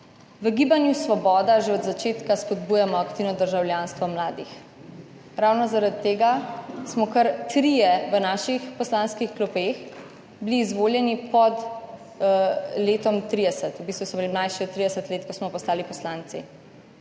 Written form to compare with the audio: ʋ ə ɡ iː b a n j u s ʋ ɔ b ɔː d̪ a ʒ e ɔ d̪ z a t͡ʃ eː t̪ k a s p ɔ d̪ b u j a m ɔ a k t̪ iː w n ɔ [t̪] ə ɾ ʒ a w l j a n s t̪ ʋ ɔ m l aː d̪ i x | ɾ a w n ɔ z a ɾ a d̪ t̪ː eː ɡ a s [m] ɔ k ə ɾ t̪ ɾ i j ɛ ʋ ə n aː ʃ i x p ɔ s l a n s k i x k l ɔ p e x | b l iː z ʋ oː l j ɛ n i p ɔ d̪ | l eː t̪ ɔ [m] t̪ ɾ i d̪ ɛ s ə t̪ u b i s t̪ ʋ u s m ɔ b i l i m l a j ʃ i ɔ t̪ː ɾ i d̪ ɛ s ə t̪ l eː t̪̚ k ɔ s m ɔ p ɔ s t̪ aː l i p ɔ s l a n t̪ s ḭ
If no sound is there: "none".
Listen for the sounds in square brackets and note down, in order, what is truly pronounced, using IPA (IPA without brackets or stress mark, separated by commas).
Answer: d̪, m, m